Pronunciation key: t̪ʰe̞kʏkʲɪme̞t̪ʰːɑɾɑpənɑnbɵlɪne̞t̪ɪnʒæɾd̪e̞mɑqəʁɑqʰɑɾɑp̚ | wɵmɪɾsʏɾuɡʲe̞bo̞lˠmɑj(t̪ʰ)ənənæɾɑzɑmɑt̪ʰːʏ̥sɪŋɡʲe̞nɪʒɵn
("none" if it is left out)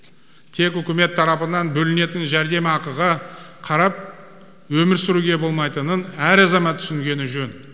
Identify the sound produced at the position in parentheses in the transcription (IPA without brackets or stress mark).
t̪